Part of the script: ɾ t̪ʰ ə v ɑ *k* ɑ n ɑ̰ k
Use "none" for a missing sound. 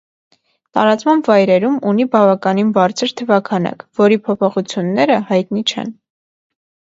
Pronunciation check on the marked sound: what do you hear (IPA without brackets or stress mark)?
kʰ